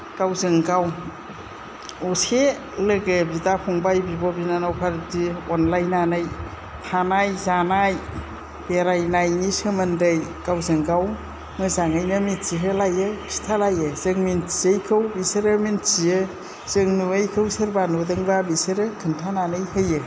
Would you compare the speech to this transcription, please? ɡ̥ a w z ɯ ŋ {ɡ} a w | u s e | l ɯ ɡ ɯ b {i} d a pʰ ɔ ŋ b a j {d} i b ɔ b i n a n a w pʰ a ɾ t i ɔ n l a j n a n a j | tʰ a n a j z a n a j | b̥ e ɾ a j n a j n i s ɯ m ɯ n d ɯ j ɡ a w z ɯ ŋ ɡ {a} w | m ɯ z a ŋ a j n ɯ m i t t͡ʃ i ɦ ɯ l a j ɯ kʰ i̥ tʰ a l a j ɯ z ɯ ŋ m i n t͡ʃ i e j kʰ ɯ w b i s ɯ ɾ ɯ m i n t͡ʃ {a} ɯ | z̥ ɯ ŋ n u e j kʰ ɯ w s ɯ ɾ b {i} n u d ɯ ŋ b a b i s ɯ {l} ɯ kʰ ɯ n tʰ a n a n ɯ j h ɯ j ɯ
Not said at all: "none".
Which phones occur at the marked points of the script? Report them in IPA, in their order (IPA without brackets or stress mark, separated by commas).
ɡ, i, b, a, i, a, ɾ